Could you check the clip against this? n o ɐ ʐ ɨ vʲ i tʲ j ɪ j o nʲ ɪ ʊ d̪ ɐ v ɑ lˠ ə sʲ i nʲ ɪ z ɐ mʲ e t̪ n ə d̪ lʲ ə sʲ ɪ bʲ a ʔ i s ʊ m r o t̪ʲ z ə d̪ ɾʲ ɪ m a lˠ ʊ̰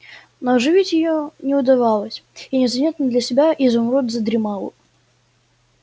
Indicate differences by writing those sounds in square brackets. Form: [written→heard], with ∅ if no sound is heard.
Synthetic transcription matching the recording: n o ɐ ʐ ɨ vʲ i tʲ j ɪ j o nʲ ɪ ʊ d̪ ɐ v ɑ lˠ ə sʲ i nʲ ɪ z ɐ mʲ e t̪ n ə d̪ lʲ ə sʲ ɪ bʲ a ʔ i [s→z] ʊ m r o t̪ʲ z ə d̪ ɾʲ ɪ m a lˠ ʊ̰